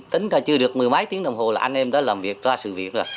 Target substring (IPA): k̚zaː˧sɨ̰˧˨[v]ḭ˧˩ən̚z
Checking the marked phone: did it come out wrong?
no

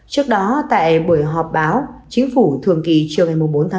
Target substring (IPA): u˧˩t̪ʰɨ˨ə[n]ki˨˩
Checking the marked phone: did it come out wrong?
yes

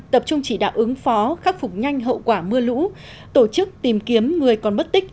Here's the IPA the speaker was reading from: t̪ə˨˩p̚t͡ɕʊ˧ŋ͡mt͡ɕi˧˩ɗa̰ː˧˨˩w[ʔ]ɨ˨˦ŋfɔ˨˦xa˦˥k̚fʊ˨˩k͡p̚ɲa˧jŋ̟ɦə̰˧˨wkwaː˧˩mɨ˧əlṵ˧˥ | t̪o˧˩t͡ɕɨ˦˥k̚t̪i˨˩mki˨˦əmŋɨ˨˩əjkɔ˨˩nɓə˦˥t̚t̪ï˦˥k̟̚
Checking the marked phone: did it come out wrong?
no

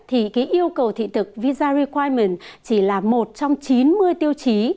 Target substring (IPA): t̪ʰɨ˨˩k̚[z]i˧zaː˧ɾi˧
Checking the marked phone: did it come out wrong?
yes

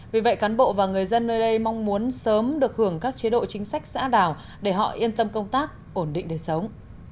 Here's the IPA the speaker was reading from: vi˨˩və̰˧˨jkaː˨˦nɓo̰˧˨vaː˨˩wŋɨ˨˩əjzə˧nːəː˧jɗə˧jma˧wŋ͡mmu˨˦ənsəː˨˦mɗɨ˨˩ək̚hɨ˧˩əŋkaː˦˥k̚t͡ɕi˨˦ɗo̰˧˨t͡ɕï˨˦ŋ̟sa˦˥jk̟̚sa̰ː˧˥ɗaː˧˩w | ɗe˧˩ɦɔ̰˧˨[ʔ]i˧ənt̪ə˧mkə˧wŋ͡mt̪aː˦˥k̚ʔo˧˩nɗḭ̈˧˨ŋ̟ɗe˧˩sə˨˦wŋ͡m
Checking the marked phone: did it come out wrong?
no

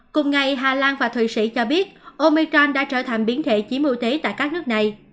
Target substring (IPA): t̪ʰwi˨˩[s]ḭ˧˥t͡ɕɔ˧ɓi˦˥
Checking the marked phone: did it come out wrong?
no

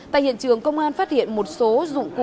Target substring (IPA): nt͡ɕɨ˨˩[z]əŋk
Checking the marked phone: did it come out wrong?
yes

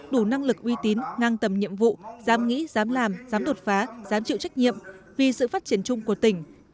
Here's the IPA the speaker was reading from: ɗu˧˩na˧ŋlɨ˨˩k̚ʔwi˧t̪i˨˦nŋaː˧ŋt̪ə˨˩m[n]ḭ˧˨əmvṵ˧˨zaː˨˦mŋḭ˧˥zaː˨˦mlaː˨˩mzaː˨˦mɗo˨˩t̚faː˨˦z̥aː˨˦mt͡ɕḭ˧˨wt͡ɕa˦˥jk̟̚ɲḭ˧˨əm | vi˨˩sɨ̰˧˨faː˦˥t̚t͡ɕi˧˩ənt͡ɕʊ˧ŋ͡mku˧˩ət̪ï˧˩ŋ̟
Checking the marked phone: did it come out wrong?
yes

